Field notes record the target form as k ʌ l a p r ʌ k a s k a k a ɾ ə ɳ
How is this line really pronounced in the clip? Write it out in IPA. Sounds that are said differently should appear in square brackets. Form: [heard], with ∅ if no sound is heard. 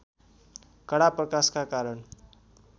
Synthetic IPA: k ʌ [ɽ] a p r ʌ k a s k a k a ɾ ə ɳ